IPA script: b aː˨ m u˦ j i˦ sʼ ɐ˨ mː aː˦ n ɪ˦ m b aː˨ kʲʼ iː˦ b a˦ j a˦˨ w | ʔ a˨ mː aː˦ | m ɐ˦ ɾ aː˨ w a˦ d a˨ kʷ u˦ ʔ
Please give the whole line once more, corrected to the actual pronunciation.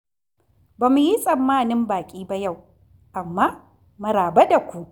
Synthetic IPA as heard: b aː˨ m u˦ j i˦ sʼ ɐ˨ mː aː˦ n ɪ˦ m b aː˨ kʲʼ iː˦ b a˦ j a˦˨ w | ʔ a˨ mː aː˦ | m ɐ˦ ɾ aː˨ b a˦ d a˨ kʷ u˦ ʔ